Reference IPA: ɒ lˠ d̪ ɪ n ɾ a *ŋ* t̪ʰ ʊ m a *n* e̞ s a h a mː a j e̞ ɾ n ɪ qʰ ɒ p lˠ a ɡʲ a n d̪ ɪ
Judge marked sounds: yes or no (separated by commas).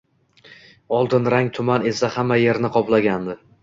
yes, yes